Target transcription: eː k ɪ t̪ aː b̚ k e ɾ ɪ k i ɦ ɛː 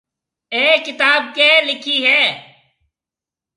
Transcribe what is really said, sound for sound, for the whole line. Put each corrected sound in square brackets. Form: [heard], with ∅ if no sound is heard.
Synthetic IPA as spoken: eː k ɪ t̪ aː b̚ k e [l] ɪ [kʰ] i ɦ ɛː